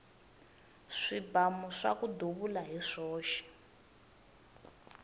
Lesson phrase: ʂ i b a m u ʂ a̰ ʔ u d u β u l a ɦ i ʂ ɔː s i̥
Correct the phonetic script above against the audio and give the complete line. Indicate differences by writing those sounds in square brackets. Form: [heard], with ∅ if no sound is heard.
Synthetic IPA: ʂ i b a m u ʂ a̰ [k] u d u β u l a ɦ i ʂ ɔː [ʃ] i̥